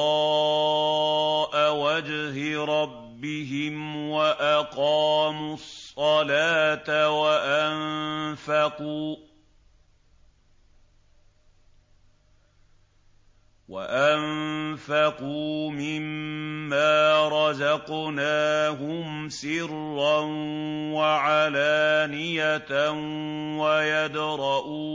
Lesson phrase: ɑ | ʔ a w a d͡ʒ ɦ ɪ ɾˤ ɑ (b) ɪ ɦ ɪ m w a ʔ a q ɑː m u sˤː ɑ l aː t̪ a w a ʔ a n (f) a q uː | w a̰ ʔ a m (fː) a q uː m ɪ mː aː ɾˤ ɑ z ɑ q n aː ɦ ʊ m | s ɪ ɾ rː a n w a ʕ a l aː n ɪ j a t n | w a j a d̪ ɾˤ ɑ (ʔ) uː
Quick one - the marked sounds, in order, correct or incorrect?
incorrect: bː, correct, incorrect: f, correct

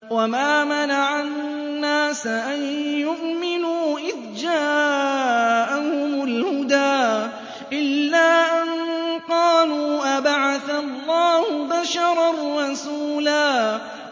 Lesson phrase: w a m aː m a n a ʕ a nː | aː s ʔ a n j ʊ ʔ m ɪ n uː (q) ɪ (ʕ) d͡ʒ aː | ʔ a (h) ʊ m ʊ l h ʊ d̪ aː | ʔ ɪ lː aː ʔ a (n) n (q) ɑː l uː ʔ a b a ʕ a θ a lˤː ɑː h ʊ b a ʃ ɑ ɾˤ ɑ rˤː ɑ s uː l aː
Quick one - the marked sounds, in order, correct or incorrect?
incorrect: ʔ, incorrect: ð, correct, correct, correct

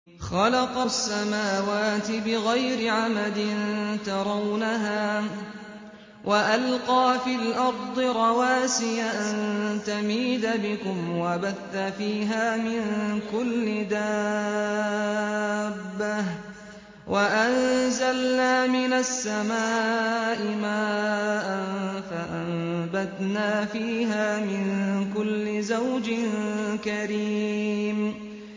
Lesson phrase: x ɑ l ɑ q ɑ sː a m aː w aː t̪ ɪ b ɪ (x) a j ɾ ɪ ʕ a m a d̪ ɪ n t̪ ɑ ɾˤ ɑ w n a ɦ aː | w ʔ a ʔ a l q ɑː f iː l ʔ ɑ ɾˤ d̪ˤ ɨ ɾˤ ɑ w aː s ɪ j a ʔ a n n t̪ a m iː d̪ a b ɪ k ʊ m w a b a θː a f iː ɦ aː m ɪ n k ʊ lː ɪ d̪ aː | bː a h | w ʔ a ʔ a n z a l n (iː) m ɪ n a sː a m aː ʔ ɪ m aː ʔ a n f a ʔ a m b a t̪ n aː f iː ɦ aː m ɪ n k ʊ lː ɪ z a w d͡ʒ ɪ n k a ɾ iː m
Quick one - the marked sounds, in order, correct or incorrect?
incorrect: ɣ, incorrect: aː

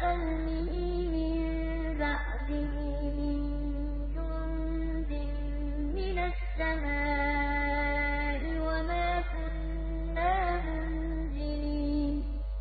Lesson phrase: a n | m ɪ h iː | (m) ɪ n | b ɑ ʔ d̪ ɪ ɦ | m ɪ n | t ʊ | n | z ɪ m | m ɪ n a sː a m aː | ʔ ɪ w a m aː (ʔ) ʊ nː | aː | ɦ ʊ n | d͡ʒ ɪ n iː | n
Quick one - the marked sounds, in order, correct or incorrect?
correct, incorrect: k

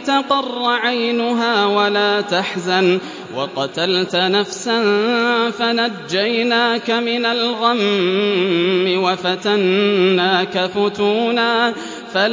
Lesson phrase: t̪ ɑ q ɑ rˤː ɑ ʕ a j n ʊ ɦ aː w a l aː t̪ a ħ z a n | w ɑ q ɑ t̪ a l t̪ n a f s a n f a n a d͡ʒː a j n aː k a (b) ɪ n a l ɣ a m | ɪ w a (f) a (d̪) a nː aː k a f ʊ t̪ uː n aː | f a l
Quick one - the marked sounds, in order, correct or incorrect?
incorrect: m, correct, incorrect: t̪

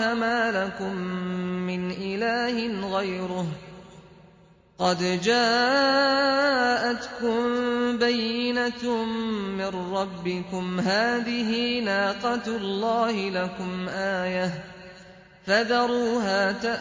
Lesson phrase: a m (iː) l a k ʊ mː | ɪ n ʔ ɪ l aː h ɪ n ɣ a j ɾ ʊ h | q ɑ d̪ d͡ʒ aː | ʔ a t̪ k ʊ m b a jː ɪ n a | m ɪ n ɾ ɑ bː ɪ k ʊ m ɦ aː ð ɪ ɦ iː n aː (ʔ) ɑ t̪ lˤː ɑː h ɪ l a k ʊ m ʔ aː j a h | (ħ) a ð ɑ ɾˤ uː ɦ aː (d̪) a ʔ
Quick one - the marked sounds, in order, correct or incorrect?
incorrect: aː, incorrect: q, incorrect: f, incorrect: t̪

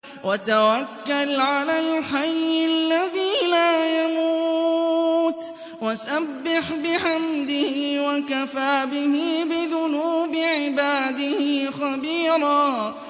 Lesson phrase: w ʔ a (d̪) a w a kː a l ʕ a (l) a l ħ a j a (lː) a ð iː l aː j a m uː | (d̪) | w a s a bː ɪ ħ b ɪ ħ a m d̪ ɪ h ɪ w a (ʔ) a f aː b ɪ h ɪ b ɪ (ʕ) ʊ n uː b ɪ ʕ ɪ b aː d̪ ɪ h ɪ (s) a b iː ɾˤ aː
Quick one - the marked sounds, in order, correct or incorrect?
incorrect: t̪, correct, correct, incorrect: t̪, incorrect: k, incorrect: ð, incorrect: x

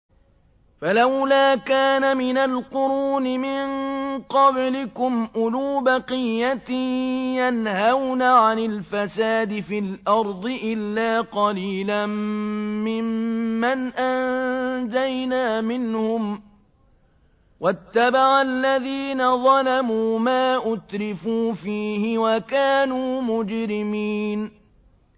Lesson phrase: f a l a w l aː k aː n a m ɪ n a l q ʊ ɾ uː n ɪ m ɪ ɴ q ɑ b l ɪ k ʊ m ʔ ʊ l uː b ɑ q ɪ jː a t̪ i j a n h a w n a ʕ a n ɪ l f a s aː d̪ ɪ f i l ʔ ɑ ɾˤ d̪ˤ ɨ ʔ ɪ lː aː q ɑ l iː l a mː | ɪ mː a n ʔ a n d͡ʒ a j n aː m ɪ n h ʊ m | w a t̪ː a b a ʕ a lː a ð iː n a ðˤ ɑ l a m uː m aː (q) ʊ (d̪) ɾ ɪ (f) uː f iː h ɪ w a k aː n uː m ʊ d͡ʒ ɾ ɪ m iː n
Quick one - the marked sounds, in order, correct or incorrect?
incorrect: ʔ, incorrect: t̪, correct

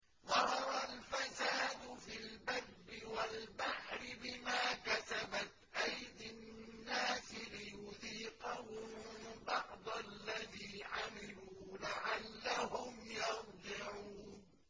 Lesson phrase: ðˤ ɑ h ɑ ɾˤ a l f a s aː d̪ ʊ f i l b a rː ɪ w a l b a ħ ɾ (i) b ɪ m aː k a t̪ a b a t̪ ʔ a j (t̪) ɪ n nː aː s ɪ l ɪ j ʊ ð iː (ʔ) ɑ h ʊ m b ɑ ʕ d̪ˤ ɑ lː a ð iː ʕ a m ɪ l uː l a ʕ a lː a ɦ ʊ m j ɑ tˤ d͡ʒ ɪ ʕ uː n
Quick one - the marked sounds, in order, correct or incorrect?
incorrect: ɪ, incorrect: d̪, incorrect: q

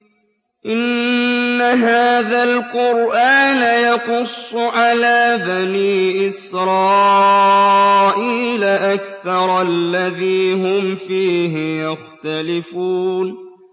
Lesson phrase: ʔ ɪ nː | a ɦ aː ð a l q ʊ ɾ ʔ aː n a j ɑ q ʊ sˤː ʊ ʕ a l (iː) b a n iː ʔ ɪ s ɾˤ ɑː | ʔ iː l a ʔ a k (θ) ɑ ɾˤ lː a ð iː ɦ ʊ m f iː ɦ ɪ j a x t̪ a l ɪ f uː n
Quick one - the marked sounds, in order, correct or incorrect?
incorrect: aː, correct

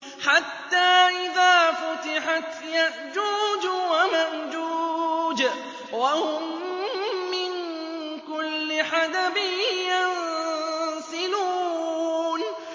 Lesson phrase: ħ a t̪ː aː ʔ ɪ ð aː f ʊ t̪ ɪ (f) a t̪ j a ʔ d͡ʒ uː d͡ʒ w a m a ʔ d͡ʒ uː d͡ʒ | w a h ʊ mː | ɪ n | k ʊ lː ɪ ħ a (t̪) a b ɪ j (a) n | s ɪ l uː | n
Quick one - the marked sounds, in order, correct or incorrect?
incorrect: ħ, incorrect: d̪, correct

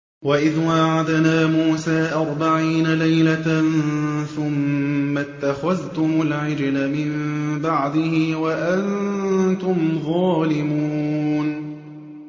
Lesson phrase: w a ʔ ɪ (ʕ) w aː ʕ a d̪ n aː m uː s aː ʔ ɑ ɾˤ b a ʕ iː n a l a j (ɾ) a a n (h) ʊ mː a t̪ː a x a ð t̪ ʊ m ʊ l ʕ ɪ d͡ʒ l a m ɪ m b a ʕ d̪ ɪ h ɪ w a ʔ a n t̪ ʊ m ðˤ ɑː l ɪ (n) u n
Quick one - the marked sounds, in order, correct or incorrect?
incorrect: ð, incorrect: l, incorrect: θ, incorrect: m

